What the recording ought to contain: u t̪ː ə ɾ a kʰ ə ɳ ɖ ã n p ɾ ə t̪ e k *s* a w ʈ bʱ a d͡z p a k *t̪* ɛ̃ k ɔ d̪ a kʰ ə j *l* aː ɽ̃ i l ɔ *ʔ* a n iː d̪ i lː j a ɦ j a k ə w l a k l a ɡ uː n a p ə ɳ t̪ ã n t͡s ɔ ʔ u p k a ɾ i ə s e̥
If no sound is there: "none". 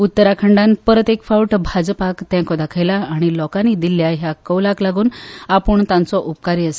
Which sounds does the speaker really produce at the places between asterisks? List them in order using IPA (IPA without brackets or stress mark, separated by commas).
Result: f, t̪, l, k